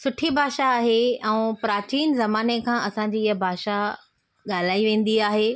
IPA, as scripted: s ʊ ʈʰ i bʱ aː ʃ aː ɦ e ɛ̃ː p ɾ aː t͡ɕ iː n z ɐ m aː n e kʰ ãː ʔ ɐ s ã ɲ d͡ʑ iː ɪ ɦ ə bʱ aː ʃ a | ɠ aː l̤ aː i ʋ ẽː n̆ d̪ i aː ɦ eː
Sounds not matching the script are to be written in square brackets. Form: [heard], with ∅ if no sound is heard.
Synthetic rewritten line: s ʊ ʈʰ i bʱ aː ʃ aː ɦ e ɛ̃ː p ɾ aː t͡ɕ iː n z ɐ m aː n e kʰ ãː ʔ ɐ s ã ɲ d͡ʑ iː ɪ ɦ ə bʱ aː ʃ a | ɠ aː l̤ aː i ʋ ẽː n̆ d̪ i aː ɦ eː